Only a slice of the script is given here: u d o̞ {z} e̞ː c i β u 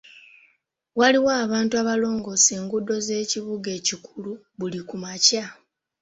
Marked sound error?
no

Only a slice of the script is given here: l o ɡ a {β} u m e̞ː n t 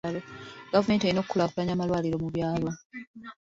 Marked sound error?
yes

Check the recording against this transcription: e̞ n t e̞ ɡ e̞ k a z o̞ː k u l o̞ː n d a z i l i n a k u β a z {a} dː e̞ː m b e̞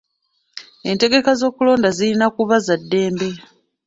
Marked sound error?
no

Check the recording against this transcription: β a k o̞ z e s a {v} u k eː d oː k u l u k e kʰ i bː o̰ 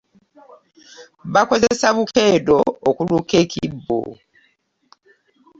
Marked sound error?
yes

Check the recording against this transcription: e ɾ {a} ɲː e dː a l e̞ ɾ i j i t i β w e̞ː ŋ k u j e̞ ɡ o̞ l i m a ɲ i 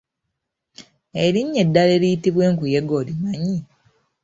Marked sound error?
yes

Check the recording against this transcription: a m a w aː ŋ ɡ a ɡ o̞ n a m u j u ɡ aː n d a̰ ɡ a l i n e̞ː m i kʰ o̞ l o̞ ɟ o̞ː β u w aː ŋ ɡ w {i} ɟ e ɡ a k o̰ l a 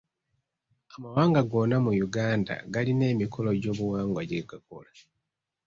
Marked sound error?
yes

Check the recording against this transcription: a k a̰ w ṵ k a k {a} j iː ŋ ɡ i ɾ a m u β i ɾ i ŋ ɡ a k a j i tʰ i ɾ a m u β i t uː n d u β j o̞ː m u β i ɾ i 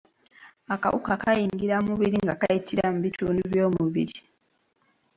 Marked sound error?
no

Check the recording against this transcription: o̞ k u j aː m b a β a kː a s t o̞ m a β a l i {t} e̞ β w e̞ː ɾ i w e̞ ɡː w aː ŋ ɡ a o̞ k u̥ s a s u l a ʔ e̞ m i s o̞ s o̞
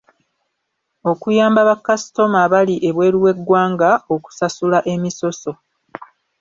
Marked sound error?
yes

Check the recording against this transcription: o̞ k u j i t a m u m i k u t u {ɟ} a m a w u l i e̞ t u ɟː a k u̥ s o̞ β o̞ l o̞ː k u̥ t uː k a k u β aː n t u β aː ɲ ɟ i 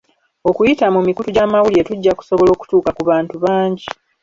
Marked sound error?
no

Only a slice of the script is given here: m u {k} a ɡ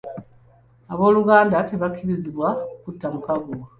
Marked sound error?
no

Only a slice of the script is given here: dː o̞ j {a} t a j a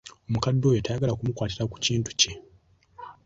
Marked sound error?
yes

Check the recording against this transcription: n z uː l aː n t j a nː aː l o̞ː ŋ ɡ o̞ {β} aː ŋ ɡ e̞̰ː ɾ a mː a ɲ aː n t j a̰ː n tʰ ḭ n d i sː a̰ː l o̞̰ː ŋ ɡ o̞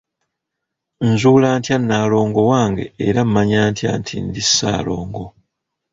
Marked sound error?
yes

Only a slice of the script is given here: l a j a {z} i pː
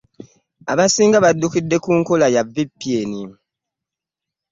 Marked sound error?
yes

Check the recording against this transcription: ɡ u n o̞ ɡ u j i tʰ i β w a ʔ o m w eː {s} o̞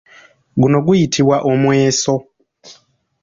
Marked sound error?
no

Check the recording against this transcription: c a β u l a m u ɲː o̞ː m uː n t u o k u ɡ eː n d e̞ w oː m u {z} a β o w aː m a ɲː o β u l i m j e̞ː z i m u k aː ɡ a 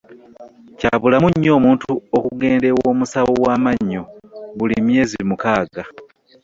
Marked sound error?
yes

